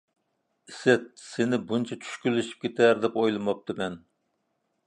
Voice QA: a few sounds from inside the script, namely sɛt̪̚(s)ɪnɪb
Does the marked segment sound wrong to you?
no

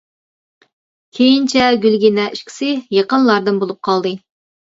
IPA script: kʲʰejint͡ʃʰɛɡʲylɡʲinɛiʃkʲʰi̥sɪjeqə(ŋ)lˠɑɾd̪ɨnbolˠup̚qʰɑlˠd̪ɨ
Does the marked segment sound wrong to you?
yes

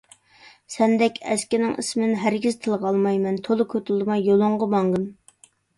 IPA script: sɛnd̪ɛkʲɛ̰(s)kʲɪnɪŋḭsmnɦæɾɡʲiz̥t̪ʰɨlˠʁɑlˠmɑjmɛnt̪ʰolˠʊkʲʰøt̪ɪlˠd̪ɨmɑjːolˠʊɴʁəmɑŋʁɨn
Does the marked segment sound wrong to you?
no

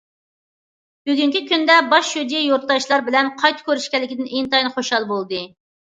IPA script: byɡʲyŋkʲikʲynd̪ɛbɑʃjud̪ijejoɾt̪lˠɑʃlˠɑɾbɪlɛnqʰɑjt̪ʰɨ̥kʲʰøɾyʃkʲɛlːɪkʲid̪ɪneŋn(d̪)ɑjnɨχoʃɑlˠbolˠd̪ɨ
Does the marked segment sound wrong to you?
yes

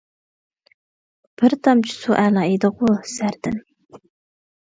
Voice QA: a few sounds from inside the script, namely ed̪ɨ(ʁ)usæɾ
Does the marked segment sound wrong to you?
no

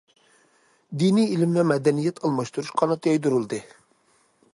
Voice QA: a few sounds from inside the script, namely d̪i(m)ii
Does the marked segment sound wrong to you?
yes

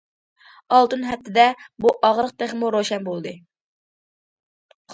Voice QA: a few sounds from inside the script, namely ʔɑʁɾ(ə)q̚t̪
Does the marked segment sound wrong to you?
no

